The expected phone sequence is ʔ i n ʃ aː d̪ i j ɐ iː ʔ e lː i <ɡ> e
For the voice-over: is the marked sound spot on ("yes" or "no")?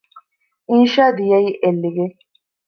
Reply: yes